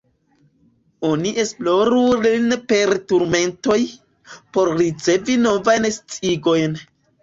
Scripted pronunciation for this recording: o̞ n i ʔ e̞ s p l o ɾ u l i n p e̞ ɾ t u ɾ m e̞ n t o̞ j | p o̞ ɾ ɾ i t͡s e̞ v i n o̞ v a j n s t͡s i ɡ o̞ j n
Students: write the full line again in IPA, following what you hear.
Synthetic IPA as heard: o̞ n i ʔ e̞ s p l o ɾ u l i n p e̞ ɾ t u ɾ m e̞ n t o̞ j | p o̞ ɾ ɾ i t͡s e̞ v i n o̞ v a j n s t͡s i ɡ o̞ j n